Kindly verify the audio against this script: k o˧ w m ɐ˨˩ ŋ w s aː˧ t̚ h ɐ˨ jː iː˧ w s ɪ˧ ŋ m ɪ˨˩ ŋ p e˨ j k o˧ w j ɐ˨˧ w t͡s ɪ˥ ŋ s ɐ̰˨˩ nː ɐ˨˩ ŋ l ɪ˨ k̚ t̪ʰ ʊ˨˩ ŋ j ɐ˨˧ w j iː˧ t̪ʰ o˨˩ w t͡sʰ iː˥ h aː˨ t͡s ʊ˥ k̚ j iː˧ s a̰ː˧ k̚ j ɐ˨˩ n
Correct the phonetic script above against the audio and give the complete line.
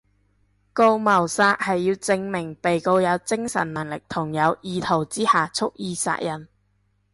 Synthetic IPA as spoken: k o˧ w m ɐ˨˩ w s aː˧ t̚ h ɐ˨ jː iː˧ w t͡s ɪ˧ ŋ m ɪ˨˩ ŋ p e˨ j k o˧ w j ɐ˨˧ w t͡s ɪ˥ ŋ s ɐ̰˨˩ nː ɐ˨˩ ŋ l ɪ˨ k̚ t̪ʰ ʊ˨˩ ŋ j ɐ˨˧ w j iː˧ t̪ʰ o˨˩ w t͡s iː˥ h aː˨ t͡sʰ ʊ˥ k̚ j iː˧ s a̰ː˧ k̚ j ɐ˨˩ n